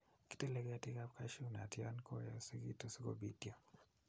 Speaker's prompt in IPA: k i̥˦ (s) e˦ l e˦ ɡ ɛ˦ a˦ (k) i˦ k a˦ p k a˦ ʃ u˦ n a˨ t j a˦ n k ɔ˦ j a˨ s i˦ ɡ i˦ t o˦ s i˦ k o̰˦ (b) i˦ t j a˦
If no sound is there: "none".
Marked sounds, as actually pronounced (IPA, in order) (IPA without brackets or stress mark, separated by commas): t, t, b